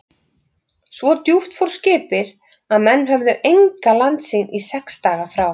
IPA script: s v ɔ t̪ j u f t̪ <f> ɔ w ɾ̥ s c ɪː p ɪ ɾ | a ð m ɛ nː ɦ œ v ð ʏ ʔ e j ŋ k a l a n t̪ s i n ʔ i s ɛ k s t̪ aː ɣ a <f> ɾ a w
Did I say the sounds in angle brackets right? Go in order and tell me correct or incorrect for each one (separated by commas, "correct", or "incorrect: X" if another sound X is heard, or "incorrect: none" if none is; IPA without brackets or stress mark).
correct, correct